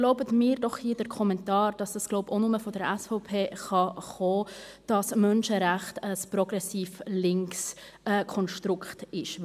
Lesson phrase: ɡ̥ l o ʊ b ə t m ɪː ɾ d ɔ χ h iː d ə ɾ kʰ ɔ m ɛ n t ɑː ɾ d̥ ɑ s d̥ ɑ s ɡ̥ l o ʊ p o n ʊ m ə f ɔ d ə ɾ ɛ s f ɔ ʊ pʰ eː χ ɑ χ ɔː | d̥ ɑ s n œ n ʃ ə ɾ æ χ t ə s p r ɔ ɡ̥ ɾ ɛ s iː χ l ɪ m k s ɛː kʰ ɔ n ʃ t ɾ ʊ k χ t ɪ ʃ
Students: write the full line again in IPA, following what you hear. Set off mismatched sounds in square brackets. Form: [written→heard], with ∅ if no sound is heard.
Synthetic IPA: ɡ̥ l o ʊ b ə t m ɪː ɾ d ɔ χ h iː d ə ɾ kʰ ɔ m ɛ n t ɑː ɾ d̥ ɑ s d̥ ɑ s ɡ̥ l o ʊ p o n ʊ m ə f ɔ d ə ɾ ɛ s f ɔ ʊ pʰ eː χ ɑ χ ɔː | d̥ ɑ s [n→m] œ n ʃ ə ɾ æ χ t ə s p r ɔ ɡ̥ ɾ ɛ s iː [χ→f] l ɪ [m→ŋ] k s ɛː kʰ ɔ n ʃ t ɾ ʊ k χ t ɪ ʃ